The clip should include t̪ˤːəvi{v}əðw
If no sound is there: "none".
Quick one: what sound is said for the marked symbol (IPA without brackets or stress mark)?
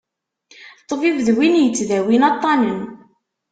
v